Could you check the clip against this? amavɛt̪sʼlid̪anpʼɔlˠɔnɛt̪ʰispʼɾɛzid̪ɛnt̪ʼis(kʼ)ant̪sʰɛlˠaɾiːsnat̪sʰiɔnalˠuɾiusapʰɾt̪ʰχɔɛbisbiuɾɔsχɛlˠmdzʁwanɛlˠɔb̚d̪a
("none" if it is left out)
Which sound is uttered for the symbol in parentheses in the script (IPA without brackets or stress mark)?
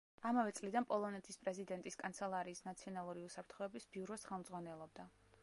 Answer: kʼ